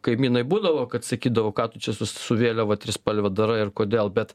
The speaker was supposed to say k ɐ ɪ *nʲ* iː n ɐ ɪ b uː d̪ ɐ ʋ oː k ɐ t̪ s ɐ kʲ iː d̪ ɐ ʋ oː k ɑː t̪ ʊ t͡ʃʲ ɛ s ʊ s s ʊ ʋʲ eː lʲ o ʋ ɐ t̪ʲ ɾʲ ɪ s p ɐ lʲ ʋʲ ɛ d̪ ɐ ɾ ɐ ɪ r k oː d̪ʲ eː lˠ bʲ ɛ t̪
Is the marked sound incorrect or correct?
incorrect